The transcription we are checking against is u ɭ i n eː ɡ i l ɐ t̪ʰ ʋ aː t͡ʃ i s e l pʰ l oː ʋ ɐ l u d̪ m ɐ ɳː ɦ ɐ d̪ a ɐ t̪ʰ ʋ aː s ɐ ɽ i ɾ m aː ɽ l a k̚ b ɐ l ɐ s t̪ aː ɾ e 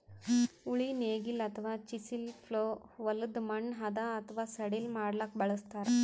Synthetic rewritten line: u ɭ i n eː ɡ i l ɐ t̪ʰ ʋ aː t͡ʃ i s i l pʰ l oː ʋ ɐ l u d̪ m ɐ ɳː ɦ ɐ d̪ a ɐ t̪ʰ ʋ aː s ɐ ɽ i l m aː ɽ l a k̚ b ɐ ɭ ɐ s t̪ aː ɾ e